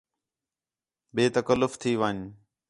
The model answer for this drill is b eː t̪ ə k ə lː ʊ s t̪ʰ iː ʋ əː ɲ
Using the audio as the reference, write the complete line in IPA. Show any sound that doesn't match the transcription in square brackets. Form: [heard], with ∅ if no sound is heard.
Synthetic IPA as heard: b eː t̪ ə k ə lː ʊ [f] t̪ʰ iː ʋ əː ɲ